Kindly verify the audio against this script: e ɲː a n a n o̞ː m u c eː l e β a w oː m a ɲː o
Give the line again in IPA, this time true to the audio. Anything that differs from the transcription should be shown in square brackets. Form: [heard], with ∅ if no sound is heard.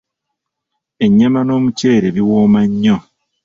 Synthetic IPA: e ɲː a [m] a n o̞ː m u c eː [ɾ] e β [i] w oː m a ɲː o